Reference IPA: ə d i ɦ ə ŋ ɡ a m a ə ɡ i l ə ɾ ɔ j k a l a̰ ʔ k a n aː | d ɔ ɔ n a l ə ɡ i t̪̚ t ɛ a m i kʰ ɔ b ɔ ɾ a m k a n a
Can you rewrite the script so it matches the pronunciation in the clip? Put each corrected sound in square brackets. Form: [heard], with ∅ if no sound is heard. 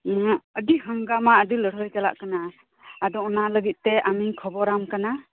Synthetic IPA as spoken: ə d i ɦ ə ŋ ɡ a m a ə [d] i l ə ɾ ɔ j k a l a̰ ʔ k a n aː | d ɔ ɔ n a l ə ɡ i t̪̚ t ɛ a m i kʰ ɔ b ɔ ɾ a m k a n a